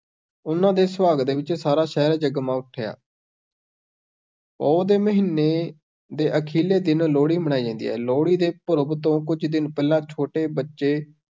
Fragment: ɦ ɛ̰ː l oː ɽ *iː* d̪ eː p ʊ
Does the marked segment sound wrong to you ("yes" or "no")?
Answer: no